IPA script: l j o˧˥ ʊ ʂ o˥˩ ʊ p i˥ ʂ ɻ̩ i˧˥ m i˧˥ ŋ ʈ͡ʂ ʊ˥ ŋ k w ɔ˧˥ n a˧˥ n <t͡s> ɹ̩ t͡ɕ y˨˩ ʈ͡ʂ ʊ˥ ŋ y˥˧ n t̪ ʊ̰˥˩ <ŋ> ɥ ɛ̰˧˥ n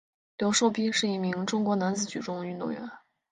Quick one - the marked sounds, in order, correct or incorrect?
correct, correct

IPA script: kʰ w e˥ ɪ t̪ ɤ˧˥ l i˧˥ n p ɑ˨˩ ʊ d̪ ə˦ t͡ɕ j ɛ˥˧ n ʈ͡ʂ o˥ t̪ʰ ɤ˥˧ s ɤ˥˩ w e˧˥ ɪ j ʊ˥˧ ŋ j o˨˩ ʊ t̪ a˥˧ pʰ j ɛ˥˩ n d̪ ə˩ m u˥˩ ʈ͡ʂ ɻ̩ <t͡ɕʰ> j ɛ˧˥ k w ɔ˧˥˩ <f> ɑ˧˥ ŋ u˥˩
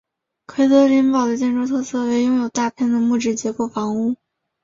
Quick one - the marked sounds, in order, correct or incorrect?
incorrect, correct

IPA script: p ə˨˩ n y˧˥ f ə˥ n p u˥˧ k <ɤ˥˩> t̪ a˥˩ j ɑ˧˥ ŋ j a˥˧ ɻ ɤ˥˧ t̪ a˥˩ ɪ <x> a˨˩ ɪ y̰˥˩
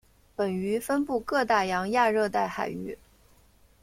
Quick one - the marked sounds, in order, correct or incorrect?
incorrect, correct

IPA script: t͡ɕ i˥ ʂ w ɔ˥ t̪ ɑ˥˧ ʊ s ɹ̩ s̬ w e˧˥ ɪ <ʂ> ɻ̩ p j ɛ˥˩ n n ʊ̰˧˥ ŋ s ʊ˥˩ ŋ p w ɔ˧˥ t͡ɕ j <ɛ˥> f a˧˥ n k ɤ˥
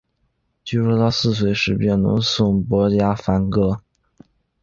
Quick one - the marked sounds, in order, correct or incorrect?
correct, incorrect

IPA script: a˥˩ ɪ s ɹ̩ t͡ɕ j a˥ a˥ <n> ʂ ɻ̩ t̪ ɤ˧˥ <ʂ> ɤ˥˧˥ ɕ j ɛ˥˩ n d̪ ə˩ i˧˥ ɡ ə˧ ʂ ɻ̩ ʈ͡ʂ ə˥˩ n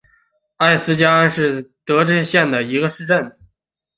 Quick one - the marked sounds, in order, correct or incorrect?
correct, incorrect

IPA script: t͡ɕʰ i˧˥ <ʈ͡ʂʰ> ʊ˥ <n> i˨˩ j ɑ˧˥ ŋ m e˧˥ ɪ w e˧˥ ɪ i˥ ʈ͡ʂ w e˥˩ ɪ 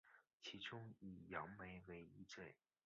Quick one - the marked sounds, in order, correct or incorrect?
incorrect, incorrect

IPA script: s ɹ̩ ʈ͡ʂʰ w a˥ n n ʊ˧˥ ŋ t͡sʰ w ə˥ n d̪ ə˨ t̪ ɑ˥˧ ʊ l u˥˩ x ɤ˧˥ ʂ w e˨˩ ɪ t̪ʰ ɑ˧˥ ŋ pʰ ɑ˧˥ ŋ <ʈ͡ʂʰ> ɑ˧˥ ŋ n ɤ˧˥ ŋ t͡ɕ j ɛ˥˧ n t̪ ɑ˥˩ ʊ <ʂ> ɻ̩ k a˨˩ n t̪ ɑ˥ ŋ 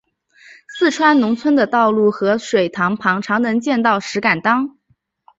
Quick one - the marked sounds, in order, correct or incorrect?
correct, correct

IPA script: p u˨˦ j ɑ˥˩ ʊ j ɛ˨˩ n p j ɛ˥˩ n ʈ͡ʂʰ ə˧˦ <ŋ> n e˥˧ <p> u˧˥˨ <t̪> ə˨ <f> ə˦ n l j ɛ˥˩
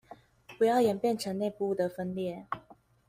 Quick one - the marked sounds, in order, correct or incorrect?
correct, correct, incorrect, correct

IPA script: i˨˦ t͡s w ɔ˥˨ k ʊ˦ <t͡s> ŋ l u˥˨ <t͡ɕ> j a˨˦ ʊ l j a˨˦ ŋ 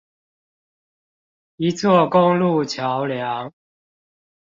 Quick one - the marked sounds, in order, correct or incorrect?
incorrect, incorrect

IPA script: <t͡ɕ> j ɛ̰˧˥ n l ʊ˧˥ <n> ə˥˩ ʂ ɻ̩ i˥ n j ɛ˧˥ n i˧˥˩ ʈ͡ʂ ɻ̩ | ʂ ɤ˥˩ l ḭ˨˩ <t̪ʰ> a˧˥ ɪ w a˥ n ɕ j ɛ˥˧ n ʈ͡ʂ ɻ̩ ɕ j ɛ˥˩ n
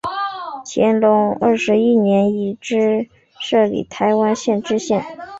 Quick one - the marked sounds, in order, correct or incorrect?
incorrect, incorrect, correct

